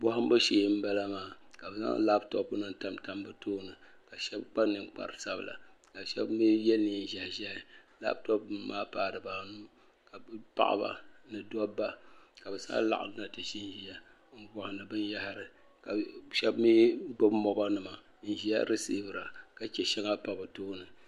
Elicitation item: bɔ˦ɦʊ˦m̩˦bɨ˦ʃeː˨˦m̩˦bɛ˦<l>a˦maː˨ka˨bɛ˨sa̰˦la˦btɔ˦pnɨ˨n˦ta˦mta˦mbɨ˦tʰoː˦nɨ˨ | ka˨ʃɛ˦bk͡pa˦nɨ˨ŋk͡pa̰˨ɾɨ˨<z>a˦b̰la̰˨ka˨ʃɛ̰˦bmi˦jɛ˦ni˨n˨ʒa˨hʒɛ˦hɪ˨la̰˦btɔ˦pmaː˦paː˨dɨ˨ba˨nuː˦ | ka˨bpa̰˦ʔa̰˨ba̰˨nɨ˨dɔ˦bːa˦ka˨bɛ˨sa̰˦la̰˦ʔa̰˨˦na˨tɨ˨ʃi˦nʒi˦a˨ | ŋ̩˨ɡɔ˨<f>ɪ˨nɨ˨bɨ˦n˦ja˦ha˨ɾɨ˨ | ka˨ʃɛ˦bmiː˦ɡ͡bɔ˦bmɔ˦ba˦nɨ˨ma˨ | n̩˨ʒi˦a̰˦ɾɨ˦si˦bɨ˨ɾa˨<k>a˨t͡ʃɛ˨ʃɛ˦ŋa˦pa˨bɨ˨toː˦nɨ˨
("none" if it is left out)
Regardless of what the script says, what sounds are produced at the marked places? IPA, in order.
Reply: l, s, h, k

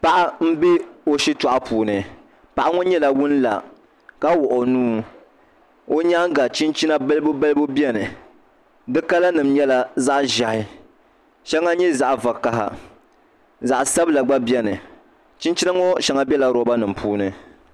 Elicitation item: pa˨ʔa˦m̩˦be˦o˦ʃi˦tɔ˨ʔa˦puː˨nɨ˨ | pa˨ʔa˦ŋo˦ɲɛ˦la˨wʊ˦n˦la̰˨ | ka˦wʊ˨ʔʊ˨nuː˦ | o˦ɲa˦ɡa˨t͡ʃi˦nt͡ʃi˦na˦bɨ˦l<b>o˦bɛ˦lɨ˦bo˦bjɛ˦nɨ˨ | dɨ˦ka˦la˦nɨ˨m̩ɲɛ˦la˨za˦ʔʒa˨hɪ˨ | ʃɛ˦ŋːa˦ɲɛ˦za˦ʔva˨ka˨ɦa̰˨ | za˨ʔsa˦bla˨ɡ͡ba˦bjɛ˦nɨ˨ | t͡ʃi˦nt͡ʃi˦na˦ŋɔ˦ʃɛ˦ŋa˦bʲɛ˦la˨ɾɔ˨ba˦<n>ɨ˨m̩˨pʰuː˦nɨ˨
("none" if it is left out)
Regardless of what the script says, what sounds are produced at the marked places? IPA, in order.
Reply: b, n

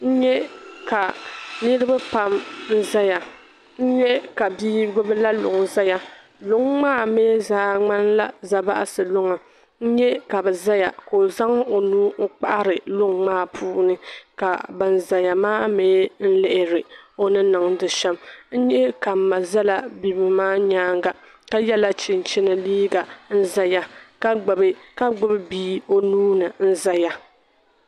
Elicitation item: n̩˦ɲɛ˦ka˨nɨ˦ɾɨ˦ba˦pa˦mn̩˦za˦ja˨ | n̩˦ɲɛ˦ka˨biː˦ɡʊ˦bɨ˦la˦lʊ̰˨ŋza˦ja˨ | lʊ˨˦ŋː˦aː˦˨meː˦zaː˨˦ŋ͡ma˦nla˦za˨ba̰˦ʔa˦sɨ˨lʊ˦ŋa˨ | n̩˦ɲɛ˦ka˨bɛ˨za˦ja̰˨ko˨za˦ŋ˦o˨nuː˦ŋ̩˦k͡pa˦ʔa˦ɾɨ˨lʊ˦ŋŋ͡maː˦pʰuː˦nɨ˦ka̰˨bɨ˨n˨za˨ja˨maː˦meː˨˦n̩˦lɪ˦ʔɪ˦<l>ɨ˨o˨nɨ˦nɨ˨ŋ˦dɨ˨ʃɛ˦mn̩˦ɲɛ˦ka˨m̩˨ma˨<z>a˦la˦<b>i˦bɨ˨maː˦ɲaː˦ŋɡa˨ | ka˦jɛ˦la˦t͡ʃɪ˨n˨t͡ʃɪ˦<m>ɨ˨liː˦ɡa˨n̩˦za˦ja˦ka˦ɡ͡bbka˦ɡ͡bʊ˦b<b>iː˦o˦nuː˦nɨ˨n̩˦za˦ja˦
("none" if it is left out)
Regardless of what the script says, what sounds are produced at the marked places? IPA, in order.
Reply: ɾ, z, b, n, b

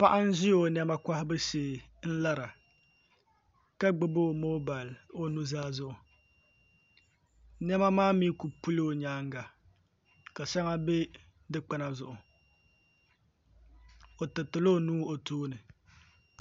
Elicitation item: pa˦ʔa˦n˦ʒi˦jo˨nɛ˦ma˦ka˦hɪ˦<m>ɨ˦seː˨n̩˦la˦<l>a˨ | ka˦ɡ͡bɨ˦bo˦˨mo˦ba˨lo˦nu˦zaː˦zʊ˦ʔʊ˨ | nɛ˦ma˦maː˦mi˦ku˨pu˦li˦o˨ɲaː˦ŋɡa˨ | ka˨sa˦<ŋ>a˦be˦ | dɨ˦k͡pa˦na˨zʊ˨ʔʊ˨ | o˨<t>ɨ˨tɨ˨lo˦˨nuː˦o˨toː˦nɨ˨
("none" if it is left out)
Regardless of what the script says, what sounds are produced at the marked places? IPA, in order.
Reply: b, ɾ, ŋ, t

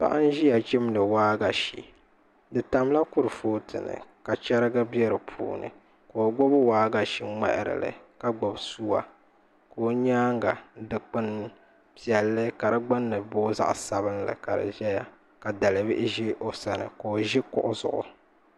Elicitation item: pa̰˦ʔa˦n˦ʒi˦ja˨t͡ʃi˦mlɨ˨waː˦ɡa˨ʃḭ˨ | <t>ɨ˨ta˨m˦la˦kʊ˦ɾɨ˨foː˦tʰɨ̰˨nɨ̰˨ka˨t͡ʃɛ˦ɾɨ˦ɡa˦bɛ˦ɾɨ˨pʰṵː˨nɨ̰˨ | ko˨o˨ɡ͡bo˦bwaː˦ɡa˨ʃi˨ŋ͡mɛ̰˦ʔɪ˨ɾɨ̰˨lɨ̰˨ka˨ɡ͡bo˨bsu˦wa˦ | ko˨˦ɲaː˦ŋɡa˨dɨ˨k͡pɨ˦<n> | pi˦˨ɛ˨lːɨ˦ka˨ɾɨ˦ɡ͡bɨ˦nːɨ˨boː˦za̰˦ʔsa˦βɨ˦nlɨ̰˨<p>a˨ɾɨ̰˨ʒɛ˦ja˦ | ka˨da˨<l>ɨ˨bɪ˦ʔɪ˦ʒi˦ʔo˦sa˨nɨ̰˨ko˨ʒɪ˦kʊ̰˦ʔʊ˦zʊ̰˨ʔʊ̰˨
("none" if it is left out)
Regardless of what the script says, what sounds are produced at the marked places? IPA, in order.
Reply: d, n, k, l

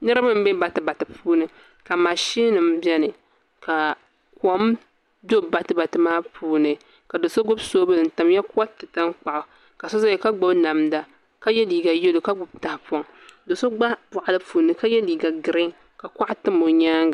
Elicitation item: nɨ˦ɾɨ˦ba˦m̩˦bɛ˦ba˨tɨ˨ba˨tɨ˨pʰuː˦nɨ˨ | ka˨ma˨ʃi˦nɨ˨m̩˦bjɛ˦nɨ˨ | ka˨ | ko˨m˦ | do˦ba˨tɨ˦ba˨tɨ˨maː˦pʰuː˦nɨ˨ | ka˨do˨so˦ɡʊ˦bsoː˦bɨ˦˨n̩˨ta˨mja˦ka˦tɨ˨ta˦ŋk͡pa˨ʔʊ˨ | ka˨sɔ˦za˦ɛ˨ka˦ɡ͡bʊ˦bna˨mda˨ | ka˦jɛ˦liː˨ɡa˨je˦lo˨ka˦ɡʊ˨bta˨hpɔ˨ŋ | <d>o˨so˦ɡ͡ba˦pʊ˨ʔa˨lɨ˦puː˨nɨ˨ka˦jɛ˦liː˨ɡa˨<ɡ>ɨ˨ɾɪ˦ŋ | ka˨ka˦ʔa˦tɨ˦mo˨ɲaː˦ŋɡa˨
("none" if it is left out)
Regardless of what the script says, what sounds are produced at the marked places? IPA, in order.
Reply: d, ɡ

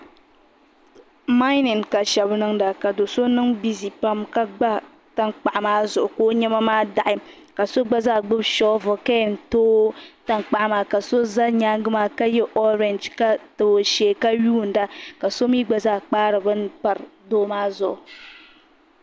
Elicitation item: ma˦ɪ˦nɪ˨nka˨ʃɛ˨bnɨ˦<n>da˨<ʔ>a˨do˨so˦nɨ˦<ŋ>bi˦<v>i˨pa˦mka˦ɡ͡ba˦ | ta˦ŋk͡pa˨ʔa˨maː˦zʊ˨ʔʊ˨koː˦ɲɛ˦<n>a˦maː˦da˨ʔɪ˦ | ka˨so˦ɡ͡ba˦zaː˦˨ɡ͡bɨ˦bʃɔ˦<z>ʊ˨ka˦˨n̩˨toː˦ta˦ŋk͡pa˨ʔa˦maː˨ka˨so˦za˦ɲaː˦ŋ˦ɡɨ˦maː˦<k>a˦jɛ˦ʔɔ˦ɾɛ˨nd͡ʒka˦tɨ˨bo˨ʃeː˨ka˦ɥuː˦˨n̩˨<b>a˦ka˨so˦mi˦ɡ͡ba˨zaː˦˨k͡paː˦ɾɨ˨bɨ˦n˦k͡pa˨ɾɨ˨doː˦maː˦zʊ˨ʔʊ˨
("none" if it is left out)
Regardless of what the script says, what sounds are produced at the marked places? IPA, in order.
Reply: ŋ, k, ŋ, z, m, v, k, d

